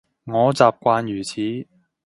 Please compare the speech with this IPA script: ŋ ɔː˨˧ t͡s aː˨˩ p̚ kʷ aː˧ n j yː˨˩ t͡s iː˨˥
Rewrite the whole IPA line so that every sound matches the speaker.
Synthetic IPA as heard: ŋ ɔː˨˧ t͡s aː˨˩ p̚ kʷ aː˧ n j yː˨˩ t͡sʰ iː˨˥